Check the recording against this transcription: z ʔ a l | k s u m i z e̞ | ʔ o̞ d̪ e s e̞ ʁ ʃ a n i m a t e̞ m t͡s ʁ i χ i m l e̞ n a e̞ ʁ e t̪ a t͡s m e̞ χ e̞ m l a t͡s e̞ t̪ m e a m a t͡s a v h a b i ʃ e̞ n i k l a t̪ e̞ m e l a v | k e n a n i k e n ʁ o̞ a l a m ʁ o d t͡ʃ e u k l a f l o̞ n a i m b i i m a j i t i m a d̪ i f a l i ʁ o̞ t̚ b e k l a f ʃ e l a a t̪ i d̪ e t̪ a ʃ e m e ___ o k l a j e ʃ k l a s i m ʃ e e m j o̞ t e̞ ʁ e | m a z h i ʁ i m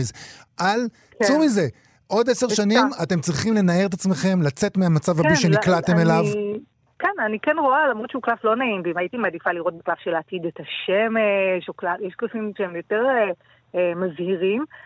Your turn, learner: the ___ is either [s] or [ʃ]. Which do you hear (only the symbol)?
ʃ